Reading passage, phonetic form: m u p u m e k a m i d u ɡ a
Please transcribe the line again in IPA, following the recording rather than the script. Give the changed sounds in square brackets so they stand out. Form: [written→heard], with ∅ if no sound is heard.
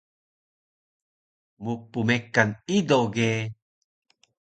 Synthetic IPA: m u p u m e k a [m→n] i d [u→o] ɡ [a→e]